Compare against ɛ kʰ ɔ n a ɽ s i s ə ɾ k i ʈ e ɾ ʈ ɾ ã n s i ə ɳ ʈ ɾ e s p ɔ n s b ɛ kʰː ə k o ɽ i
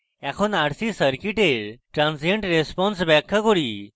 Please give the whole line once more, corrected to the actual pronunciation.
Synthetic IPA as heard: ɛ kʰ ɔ n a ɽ s i s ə ɾ k i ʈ e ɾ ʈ ɾ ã n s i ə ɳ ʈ ɾ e s p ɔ n s b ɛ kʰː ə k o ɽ i